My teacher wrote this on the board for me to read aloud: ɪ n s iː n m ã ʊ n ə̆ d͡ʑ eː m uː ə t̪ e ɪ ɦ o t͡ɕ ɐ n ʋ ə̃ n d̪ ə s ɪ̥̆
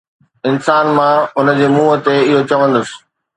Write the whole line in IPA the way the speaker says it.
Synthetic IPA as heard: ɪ n s aː n m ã ʊ n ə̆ d͡ʑ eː m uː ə t̪ e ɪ ɦ o t͡ɕ ɐ ʋ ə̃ n d̪ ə s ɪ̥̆